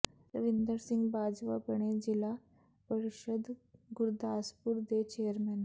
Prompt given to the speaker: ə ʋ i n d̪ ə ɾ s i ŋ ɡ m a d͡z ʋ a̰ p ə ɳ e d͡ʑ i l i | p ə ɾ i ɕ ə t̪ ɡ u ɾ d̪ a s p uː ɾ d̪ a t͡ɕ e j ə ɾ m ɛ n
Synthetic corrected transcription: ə ʋ i n d̪ ə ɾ s i ŋ ɡ b a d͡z ʋ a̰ p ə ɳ e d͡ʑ i l a | p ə ɾ i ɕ ə d̪ ɡ u ɾ d̪ a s p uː ɾ d̪ e t͡ɕ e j ə ɾ m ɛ n